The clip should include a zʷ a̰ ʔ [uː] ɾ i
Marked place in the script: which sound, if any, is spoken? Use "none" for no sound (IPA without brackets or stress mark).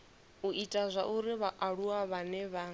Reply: u